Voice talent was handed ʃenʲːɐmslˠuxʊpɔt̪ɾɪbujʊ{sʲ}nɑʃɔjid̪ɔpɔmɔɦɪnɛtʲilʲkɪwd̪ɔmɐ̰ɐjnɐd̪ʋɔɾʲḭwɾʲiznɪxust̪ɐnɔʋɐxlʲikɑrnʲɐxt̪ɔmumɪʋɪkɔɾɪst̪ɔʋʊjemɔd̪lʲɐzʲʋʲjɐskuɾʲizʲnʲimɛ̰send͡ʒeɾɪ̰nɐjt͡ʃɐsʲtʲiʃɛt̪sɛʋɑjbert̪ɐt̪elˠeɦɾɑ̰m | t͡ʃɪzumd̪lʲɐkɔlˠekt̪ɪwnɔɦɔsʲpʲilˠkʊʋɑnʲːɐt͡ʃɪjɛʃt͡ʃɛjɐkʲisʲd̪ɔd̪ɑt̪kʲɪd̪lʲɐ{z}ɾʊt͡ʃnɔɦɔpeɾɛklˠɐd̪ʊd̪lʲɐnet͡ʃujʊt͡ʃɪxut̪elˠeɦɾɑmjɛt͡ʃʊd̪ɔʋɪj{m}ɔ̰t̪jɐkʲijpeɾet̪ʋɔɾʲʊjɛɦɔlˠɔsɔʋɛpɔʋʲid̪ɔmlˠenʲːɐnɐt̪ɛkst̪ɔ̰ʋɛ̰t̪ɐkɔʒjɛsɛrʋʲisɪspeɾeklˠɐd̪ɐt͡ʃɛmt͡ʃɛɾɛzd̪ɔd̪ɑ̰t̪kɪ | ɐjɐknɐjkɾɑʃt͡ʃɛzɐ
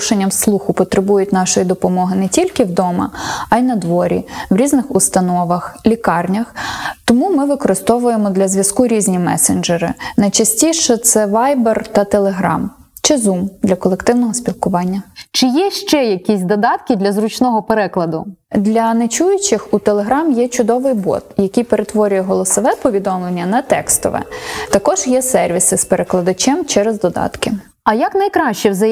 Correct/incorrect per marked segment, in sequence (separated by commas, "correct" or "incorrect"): incorrect, correct, incorrect